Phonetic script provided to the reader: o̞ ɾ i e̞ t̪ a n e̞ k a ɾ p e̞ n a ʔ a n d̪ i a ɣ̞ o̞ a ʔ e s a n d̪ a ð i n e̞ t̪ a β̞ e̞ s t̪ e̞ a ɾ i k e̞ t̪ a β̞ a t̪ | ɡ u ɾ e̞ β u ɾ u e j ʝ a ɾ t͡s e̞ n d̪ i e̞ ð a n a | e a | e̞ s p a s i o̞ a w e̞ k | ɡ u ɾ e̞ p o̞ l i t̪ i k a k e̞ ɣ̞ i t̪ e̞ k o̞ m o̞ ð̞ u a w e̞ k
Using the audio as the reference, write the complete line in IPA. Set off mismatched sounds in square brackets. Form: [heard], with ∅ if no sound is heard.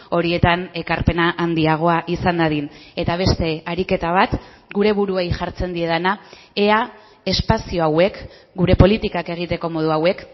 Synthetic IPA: o̞ ɾ i e̞ t̪ a n e̞ k a ɾ p e̞ n a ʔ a n d̪ i a ɣ̞ o̞ a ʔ [i] s a n d̪ a ð i n e̞ t̪ a β̞ e̞ s t̪ e̞ a ɾ i k e̞ t̪ a β̞ a t̪ | ɡ u ɾ e̞ β u ɾ u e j ʝ a ɾ t͡s e̞ n d̪ i e̞ ð a n a | e a | e̞ s p a s i o̞ a w e̞ k | ɡ u ɾ e̞ p o̞ l i t̪ i k a k e̞ ɣ̞ i t̪ e̞ k o̞ m o̞ ð̞ u a w e̞ k